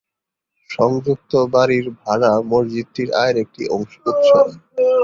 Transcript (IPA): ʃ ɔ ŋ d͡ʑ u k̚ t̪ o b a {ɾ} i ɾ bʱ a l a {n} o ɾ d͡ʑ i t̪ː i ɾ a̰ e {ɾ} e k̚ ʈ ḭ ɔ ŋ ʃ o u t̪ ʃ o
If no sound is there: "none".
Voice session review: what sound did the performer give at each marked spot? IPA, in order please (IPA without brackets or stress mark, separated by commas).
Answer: ɾ, m, ɾ